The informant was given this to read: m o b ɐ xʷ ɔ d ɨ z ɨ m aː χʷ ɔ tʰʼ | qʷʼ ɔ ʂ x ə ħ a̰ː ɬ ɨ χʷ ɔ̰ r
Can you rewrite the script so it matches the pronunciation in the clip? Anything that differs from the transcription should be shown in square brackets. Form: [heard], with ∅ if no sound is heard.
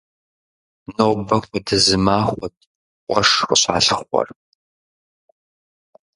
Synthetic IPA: [n] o b ɐ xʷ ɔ d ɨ z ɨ m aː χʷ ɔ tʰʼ | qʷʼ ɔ ʂ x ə [ɕ] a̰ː ɬ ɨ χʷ ɔ̰ r